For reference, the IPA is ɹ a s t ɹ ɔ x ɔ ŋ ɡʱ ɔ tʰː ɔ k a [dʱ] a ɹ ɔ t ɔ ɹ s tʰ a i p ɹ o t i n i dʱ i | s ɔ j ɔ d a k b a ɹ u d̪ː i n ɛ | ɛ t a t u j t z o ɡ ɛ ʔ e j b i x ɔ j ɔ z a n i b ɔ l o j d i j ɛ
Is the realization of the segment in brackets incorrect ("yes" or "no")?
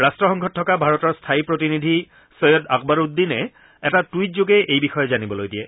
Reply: yes